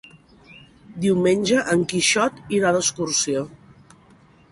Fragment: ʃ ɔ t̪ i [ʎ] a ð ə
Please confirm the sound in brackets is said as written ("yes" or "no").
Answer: no